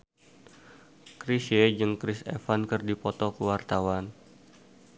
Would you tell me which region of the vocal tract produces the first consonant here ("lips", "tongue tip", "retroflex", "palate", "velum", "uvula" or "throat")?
velum